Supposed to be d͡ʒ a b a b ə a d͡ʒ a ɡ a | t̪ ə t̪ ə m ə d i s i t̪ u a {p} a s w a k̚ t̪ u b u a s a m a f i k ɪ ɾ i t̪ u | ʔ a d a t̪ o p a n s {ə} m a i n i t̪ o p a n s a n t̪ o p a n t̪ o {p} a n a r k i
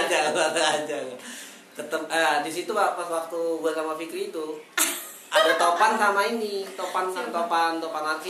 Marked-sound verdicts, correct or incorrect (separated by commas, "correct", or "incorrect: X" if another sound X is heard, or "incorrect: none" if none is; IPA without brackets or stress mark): correct, incorrect: a, correct